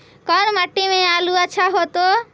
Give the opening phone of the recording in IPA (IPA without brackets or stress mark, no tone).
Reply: k